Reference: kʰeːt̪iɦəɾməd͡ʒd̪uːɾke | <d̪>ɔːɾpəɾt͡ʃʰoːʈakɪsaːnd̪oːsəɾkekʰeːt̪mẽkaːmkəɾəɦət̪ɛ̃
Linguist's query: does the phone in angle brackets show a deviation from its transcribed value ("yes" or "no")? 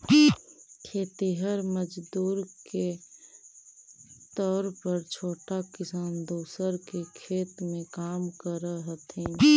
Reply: yes